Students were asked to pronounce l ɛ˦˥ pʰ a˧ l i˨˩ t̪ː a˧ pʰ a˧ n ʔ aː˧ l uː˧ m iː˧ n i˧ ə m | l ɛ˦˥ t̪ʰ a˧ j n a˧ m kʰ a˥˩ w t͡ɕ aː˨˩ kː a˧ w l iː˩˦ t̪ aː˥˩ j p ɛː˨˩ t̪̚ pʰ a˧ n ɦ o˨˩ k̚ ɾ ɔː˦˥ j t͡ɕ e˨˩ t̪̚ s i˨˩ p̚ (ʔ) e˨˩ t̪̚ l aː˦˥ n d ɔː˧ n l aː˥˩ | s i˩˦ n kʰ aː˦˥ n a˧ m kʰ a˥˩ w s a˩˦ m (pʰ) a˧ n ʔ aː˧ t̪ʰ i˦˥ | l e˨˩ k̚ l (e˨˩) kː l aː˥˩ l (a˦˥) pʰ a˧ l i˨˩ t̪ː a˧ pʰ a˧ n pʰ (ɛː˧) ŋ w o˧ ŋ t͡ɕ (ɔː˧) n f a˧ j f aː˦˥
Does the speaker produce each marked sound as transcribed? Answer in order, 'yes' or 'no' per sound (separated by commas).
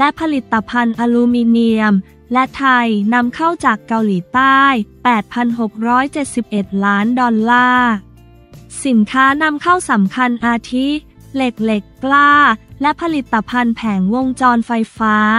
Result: yes, no, yes, no, no, yes